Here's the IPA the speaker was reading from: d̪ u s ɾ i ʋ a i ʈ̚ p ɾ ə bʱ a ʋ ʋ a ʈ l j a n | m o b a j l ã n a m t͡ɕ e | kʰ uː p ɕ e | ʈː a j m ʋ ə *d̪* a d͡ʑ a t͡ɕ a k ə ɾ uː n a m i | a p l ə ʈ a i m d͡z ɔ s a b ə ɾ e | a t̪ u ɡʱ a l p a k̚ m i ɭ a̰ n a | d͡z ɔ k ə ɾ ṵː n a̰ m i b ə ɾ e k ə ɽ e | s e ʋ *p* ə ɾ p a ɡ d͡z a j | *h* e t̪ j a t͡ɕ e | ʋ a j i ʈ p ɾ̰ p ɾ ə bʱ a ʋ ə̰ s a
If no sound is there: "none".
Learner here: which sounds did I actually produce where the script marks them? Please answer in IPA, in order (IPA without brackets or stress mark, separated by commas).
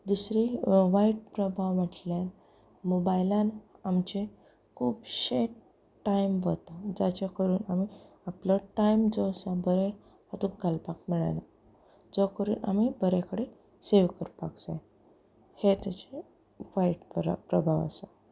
t̪, k, h